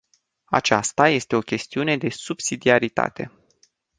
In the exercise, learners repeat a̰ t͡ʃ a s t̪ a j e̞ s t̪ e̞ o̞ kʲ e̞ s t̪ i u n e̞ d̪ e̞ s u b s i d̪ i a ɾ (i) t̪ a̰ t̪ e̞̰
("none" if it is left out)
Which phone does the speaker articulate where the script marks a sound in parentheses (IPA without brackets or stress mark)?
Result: i